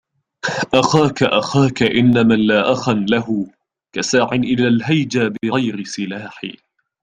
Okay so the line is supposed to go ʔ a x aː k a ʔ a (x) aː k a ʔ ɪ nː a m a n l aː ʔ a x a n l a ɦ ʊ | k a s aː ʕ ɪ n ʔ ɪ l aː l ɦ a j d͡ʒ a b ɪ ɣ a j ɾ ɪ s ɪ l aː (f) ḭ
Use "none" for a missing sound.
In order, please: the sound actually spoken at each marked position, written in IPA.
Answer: x, ħ

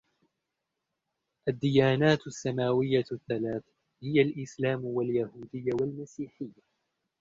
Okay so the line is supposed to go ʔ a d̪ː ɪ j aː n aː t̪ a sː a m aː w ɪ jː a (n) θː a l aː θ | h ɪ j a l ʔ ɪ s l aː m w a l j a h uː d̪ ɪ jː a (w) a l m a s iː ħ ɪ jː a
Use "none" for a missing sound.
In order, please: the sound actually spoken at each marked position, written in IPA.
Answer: none, w

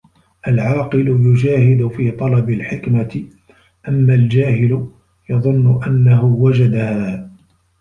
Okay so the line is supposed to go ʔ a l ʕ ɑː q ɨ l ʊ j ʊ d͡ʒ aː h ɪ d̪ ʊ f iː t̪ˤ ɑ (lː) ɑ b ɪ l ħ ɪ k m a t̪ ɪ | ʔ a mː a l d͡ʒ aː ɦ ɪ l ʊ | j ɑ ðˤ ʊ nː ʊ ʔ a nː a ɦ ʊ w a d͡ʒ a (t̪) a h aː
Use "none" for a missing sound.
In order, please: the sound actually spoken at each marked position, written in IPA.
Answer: l, d̪

